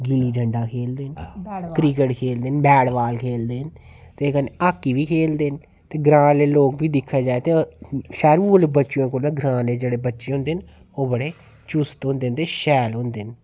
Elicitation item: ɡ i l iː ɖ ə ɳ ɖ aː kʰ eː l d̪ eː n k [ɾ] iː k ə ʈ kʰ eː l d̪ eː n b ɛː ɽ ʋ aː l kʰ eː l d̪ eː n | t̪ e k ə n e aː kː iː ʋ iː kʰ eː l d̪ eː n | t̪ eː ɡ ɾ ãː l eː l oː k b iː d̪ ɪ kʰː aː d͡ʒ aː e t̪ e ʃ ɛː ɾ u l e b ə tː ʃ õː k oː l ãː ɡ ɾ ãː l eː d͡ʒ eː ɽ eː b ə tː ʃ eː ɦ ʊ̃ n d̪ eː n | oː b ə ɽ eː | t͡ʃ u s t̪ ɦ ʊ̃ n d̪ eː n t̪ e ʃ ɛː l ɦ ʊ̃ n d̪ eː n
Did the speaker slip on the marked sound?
no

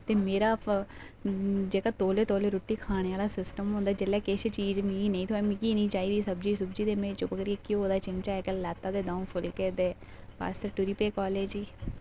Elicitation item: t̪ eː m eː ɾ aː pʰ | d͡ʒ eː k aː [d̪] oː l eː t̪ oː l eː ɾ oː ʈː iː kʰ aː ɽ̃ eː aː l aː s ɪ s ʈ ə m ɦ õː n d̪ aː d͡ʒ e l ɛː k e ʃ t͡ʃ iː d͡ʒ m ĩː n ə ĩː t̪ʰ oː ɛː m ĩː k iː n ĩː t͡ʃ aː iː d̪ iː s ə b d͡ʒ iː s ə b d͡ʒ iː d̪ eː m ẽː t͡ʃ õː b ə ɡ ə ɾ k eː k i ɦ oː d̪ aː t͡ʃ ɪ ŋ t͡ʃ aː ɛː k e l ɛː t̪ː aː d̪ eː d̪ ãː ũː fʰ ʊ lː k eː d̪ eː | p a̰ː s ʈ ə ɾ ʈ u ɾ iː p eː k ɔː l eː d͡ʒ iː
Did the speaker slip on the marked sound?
yes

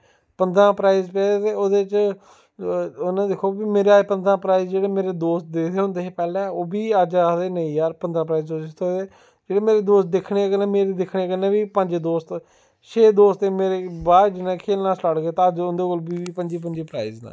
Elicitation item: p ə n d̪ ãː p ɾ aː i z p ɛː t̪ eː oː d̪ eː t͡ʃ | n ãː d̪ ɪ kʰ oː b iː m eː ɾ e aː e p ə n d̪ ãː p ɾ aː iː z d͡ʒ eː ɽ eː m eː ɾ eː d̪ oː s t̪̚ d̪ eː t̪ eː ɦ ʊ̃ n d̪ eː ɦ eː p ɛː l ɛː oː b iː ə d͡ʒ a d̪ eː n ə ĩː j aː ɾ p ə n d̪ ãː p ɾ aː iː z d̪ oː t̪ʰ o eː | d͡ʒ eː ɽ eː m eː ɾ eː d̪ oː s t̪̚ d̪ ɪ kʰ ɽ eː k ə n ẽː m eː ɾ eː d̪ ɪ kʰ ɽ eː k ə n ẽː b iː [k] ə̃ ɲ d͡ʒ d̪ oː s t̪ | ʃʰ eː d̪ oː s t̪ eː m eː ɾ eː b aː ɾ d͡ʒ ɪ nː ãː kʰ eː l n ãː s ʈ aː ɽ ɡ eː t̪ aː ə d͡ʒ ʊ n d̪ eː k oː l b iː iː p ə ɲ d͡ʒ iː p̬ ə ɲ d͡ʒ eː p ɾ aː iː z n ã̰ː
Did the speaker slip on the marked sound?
yes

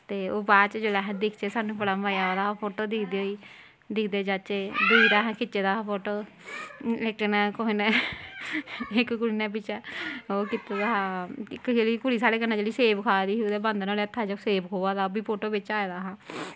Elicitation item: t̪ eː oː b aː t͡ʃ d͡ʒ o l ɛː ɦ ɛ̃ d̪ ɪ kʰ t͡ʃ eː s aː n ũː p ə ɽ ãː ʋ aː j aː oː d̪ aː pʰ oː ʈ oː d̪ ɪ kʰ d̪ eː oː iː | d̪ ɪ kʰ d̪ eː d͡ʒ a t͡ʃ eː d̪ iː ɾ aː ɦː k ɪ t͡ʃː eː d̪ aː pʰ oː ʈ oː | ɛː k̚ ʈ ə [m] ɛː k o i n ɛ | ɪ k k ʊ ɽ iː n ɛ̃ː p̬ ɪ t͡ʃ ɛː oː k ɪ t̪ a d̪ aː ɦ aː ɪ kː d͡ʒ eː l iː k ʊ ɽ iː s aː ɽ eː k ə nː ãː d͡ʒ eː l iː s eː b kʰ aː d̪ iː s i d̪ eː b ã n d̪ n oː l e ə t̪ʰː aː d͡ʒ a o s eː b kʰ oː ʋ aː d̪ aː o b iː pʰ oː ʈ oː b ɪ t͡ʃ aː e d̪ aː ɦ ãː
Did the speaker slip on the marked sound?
yes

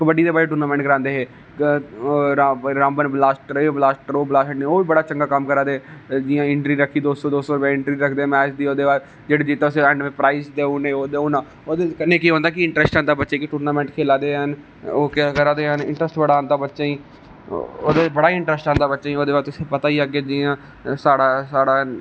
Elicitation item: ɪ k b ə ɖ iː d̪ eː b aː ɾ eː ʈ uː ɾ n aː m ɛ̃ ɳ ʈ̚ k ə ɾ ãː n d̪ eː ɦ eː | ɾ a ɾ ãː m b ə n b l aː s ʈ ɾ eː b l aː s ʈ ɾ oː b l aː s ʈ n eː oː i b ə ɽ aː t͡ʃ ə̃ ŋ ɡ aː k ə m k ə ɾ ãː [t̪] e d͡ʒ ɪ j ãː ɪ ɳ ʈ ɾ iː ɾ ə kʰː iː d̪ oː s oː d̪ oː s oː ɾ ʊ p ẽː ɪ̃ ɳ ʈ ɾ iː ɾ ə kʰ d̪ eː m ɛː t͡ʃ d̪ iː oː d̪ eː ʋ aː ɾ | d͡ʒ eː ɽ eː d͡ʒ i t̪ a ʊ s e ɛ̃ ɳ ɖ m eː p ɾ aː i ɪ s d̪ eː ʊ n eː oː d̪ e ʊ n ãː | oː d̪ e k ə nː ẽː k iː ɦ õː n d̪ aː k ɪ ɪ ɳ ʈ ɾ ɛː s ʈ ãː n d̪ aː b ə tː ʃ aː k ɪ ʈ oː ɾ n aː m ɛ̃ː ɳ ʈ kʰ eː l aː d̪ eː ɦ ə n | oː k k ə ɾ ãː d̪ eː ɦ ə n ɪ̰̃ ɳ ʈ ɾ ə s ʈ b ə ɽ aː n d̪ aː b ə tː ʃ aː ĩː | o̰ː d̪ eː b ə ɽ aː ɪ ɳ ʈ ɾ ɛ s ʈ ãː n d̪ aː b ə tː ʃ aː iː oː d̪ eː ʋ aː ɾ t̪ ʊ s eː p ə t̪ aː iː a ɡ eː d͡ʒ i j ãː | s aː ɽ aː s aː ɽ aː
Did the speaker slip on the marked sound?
yes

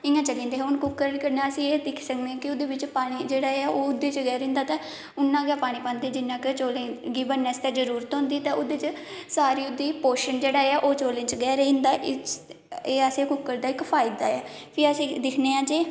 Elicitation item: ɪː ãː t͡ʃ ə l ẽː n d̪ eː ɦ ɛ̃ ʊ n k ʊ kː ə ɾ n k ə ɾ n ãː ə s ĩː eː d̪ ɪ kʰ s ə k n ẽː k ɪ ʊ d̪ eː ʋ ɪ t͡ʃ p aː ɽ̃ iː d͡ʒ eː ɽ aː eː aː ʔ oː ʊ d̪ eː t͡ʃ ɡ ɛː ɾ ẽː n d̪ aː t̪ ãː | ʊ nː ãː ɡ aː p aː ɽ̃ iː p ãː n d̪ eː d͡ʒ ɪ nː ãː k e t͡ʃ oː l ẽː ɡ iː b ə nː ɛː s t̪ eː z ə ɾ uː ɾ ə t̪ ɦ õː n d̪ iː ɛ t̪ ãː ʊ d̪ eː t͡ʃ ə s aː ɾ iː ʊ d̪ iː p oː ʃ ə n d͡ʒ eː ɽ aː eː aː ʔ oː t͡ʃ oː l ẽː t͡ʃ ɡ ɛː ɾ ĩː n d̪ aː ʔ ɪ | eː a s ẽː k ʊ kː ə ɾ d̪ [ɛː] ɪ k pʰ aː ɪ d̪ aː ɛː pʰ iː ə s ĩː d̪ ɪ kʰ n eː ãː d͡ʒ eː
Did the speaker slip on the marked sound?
yes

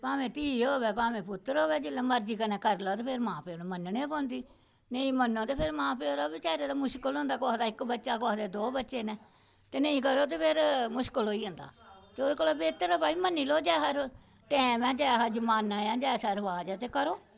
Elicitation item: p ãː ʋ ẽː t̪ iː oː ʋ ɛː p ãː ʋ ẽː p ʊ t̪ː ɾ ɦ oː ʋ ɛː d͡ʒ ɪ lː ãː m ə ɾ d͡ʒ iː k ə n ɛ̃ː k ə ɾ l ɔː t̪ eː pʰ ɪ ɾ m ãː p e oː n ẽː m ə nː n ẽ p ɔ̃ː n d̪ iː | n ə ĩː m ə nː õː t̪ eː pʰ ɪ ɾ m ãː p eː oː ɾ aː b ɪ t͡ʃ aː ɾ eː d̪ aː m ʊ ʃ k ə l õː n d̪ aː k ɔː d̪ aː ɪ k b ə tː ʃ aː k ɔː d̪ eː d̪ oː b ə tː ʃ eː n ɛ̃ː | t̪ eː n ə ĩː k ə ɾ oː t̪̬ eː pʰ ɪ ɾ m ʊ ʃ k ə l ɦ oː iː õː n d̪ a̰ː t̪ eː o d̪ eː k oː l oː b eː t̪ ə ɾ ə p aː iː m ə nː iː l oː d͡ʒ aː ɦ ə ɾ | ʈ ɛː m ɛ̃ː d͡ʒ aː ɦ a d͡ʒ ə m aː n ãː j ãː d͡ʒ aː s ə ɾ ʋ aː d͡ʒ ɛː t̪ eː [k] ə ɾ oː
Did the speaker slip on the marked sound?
no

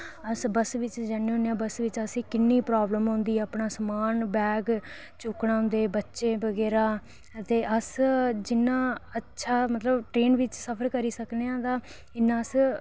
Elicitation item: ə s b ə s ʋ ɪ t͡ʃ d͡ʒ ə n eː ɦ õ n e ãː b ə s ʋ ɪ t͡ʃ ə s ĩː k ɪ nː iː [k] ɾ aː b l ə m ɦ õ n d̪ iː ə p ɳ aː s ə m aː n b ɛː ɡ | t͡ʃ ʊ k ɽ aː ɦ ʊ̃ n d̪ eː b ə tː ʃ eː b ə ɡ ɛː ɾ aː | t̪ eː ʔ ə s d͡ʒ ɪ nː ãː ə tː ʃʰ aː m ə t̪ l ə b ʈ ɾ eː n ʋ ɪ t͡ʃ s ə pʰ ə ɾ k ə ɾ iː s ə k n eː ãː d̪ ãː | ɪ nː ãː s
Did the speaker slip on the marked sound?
yes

